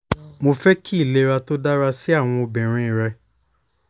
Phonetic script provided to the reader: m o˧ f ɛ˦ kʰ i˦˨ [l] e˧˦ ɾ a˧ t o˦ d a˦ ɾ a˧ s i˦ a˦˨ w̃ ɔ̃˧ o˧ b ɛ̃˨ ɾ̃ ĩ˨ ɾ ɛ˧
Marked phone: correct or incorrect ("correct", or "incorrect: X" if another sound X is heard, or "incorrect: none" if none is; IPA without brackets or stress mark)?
correct